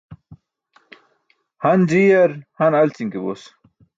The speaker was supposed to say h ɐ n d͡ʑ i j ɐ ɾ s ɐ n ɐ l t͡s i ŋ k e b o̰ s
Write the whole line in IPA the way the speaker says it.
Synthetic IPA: h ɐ n d͡ʑ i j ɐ ɾ h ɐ n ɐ l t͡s i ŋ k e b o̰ s